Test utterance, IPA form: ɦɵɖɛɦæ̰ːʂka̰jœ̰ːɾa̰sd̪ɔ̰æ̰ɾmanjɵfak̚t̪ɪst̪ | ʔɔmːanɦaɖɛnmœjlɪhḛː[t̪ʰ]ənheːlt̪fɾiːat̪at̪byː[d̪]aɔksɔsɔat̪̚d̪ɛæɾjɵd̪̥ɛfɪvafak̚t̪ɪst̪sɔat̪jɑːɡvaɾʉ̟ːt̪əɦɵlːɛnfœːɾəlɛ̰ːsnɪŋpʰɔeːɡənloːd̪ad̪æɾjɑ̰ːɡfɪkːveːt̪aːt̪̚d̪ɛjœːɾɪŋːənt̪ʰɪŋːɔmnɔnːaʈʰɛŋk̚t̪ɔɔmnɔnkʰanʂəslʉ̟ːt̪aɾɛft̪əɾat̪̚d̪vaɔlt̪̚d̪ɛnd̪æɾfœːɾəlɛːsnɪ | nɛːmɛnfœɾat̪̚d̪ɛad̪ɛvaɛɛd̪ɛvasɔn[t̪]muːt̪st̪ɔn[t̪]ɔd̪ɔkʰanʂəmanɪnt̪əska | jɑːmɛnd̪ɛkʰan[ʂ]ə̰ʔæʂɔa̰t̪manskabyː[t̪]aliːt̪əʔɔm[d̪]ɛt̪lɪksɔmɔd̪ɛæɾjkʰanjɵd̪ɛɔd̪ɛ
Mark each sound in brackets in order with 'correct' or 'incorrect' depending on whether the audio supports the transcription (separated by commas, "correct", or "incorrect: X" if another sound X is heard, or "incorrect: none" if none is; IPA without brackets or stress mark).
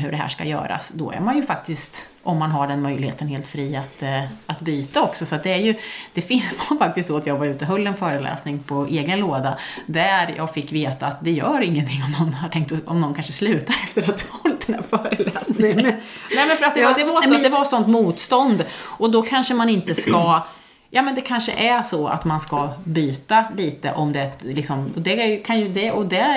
incorrect: t̪, incorrect: t̪, correct, incorrect: d̪, correct, correct, correct